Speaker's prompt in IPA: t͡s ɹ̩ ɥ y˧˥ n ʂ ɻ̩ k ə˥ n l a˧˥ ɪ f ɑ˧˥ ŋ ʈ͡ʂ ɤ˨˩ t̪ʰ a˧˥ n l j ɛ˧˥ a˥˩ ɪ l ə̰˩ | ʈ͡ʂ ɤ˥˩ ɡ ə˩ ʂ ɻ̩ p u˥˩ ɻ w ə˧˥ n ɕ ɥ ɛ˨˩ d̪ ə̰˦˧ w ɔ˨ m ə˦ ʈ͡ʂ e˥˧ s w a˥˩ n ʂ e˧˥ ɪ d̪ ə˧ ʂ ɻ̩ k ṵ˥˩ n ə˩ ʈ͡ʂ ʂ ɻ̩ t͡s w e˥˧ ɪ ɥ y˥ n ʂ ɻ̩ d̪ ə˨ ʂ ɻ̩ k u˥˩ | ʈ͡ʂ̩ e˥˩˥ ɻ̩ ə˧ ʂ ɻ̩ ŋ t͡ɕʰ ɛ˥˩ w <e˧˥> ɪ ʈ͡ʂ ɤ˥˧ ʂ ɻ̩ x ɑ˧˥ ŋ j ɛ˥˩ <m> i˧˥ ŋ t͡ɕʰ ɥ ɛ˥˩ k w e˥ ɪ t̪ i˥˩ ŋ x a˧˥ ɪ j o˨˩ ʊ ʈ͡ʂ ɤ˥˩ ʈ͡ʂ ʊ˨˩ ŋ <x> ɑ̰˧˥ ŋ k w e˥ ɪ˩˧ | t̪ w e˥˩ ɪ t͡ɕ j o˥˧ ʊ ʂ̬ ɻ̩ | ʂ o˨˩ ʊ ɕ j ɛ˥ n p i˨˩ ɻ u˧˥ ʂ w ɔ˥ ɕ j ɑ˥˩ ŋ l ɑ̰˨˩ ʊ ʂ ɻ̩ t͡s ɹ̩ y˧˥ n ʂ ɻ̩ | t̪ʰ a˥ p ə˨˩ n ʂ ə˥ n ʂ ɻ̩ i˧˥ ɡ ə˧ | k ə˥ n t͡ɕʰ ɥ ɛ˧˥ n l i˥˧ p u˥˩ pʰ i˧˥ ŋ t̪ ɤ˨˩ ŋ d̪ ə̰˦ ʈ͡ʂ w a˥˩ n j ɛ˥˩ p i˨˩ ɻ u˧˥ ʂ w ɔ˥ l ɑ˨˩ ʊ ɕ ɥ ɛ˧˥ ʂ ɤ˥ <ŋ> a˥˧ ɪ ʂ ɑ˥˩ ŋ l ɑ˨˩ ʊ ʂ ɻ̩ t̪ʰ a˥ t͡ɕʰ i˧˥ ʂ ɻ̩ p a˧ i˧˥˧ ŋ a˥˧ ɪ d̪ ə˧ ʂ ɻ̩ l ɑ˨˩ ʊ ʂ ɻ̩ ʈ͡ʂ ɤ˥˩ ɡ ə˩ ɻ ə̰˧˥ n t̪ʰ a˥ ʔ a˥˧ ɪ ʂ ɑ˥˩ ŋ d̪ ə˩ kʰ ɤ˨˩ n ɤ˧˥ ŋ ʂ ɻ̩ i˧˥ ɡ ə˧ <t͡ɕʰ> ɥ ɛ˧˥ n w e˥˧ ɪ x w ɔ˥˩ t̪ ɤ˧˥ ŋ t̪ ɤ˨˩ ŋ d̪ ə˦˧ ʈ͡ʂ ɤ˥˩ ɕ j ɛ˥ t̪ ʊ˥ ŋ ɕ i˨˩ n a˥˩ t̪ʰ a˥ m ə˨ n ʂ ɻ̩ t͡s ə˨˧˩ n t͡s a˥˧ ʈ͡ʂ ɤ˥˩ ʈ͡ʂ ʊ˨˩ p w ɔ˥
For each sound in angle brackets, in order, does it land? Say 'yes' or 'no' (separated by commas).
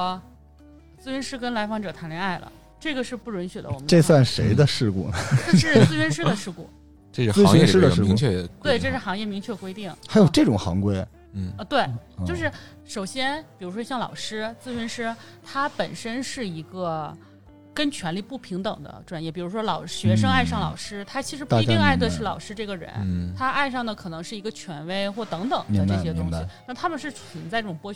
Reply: no, yes, yes, yes, yes